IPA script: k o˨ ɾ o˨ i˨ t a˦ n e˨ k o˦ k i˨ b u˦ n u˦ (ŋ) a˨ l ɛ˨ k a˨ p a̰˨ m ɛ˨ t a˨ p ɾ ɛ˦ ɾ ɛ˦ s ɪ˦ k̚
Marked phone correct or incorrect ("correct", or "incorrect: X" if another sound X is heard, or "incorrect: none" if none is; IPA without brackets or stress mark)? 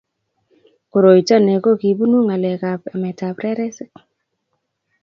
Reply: correct